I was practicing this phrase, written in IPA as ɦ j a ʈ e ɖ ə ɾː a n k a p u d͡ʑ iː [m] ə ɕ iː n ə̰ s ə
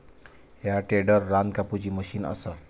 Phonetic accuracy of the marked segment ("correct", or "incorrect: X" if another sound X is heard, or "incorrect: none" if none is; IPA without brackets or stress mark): correct